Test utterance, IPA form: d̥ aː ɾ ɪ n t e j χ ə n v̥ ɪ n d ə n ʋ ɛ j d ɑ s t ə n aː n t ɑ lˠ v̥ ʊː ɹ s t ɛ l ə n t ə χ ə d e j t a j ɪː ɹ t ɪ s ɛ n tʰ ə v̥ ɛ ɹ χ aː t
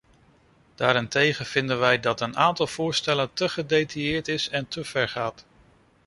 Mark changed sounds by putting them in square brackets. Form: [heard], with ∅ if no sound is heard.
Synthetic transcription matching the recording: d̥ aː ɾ ɪ n t e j χ ə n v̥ ɪ n d ə n ʋ ɛ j d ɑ [∅] t ə n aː n t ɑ lˠ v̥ ʊː ɹ s t ɛ l ə n t ə χ ə d e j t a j ɪː ɹ t ɪ s ɛ n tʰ ə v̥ ɛ ɹ χ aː t